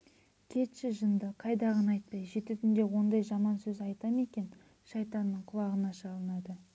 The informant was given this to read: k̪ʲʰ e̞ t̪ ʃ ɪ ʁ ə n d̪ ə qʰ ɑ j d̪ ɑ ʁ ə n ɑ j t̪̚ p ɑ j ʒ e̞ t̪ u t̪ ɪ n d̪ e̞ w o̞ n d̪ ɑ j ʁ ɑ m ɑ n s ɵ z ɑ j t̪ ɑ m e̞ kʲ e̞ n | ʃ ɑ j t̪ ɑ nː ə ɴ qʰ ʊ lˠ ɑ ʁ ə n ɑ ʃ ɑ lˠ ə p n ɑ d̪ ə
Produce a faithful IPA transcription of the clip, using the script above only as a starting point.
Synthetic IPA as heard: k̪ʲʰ e̞ t̪ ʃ ɪ ʒ ə n d̪ ə qʰ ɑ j d̪ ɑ ʁ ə n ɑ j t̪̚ p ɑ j ʒ e̞ t̪ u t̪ ɪ n d̪ e̞ w o̞ n d̪ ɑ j ʒ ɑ m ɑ n s ɵ z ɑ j t̪ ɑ m e̞ kʲ e̞ n | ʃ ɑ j t̪ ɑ nː ə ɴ qʰ ʊ lˠ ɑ ʁ ə n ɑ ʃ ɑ lˠ ə n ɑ d̪ ə